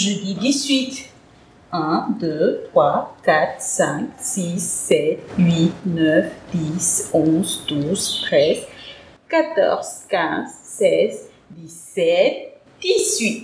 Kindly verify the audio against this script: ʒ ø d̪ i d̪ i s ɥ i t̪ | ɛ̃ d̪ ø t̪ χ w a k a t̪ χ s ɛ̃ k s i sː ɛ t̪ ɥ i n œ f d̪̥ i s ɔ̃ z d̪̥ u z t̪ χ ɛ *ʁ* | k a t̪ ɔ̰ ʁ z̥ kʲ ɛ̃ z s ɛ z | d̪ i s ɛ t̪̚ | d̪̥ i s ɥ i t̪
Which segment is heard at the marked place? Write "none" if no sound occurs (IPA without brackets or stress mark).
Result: z